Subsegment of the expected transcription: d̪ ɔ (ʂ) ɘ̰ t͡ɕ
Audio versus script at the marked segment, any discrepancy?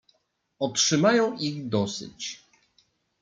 yes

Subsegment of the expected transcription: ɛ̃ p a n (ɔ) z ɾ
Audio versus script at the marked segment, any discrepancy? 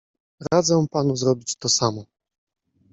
yes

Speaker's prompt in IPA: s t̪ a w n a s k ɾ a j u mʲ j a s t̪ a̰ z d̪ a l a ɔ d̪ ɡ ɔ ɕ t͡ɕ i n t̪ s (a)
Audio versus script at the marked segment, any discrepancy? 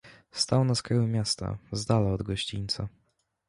no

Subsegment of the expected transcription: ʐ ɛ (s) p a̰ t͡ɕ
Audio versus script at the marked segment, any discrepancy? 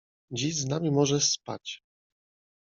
no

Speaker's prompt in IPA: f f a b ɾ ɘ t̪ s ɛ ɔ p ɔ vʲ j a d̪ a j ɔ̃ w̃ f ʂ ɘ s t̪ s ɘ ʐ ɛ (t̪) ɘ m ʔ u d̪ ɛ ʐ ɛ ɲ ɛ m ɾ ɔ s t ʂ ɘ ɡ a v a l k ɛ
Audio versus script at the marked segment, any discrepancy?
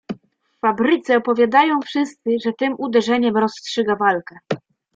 no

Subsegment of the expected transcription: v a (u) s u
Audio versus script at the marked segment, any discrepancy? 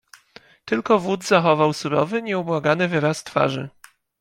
yes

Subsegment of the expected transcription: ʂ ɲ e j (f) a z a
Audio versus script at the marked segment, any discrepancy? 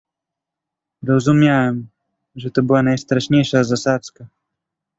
yes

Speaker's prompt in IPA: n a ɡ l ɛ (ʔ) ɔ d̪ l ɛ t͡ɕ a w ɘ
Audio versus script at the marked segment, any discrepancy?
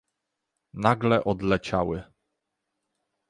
no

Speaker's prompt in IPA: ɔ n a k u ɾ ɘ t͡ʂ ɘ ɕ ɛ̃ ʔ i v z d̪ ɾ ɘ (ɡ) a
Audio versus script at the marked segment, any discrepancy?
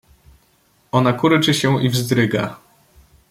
no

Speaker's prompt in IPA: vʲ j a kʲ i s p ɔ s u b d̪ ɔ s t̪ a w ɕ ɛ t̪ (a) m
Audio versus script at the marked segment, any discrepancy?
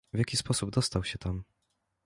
no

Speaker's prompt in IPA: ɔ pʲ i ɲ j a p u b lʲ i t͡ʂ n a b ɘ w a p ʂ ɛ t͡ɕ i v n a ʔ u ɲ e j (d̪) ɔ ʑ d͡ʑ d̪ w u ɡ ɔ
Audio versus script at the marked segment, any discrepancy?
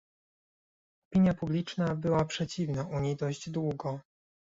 no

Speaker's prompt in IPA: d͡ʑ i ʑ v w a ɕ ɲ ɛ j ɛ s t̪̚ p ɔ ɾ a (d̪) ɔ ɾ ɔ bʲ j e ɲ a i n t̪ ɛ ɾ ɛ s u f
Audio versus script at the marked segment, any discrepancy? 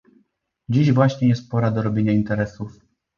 no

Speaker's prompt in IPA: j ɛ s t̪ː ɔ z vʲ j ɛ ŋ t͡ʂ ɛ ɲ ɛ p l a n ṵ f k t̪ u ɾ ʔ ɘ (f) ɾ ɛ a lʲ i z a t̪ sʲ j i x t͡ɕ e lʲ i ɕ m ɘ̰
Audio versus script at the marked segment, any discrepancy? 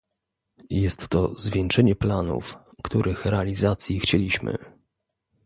yes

